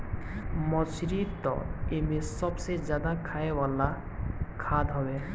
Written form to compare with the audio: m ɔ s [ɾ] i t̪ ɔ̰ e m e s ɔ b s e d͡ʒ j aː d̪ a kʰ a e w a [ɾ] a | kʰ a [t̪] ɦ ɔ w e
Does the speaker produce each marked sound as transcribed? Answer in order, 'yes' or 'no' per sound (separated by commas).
yes, no, no